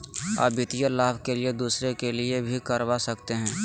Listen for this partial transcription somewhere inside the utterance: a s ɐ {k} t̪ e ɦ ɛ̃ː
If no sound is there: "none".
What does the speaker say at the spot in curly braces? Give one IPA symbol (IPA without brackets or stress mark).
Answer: k